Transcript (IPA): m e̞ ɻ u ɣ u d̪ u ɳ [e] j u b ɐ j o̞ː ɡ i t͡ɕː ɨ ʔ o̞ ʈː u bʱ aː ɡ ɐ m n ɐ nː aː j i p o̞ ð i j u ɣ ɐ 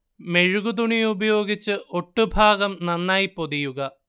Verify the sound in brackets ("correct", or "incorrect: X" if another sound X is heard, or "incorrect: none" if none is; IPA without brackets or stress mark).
incorrect: i